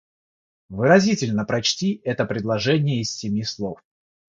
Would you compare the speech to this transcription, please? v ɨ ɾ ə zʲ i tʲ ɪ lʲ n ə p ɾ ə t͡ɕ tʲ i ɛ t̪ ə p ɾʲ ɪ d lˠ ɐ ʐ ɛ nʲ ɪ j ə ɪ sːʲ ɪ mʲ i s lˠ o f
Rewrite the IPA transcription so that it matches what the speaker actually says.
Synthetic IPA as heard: v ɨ ɾ ɐ zʲ i tʲ ɪ lʲ n ə p ɾ ɐ t͡ɕ tʲ i ɛ t̪ ə p ɾʲ ɪ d lˠ ɐ ʐ ɛ nʲ ɪ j ə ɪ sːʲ ɪ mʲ i s lˠ o f